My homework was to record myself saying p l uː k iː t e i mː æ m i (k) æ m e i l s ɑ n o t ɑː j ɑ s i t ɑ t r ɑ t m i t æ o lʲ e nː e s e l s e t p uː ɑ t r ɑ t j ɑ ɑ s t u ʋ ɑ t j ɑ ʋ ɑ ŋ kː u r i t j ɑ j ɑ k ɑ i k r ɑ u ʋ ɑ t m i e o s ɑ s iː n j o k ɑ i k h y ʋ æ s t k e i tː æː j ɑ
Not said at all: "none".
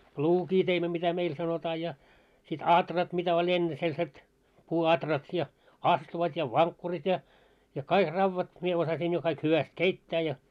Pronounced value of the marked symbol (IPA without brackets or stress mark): t